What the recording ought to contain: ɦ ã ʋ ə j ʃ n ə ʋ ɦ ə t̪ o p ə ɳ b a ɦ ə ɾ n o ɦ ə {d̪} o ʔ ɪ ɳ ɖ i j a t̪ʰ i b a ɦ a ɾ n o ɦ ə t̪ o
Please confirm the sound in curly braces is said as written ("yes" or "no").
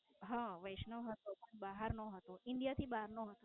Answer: no